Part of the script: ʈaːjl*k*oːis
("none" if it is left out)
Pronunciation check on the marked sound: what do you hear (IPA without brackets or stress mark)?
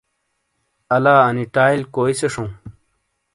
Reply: k